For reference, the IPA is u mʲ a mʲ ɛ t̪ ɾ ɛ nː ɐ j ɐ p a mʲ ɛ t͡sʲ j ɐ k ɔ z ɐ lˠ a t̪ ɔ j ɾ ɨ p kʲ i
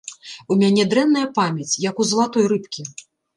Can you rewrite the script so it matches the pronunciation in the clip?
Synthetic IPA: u mʲ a nʲ ɛ d̪ ɾ ɛ nː ɐ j ɐ p a mʲ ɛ t͡sʲ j ɐ k u z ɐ lˠ a t̪ ɔ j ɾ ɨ p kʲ i